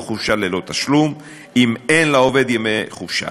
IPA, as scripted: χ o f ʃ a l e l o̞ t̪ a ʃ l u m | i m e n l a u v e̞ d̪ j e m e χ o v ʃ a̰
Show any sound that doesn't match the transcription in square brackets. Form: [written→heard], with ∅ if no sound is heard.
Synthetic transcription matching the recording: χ [o→u] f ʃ a l e l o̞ t̪ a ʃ l u m | i m e n l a [u→o] v e̞ d̪ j e m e χ [o→u] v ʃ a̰